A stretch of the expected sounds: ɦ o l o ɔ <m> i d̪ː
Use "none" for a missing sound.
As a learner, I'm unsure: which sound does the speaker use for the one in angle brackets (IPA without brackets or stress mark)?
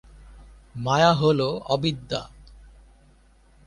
b